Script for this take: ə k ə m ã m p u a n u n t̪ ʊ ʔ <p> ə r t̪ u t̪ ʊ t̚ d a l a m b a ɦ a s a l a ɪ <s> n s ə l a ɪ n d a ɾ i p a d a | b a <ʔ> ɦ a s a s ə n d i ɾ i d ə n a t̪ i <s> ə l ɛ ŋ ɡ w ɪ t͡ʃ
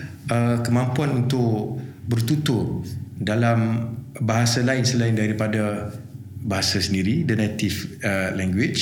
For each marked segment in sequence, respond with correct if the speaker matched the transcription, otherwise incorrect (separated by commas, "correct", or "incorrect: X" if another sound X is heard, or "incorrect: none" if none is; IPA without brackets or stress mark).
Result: incorrect: b, incorrect: none, incorrect: none, incorrect: f